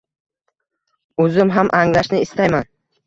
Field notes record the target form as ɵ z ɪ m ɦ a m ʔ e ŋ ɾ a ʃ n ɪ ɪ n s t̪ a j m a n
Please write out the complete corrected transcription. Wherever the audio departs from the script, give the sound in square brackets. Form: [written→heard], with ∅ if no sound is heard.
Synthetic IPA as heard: ɵ z ɪ m ɦ a m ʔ [e→a] ŋ [ɾ→l] a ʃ n ɪ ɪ [n→∅] s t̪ a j m a n